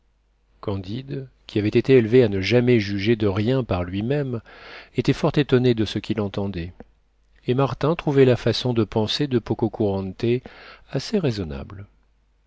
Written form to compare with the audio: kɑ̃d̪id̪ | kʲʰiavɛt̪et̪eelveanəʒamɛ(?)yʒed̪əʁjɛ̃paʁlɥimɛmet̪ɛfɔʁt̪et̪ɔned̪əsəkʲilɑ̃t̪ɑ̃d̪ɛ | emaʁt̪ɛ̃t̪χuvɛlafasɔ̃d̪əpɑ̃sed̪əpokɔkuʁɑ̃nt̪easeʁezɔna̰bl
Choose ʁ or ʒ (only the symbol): ʒ